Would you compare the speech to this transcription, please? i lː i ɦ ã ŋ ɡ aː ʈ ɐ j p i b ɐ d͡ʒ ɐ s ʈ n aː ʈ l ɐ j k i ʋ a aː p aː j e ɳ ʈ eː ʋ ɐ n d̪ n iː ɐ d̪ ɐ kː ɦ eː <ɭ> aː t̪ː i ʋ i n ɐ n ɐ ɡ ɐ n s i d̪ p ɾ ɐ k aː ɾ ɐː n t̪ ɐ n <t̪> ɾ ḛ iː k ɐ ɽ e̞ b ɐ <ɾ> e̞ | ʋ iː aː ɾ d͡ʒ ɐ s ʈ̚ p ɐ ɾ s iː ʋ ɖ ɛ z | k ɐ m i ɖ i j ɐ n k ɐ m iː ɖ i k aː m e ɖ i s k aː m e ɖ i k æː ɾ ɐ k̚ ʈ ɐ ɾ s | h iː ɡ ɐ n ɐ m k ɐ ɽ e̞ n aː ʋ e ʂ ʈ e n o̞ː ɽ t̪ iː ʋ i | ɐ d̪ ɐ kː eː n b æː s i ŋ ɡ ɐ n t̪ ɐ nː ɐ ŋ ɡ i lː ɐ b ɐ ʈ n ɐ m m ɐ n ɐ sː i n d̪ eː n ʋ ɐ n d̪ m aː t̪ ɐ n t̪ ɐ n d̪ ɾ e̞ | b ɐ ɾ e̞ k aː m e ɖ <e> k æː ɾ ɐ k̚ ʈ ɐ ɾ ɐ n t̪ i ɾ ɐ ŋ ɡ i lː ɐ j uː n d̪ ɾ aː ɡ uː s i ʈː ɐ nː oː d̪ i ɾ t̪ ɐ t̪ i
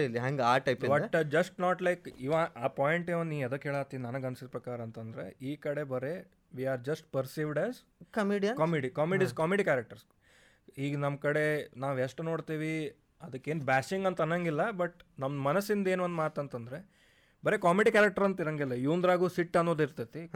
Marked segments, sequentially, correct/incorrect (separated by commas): correct, incorrect, correct, incorrect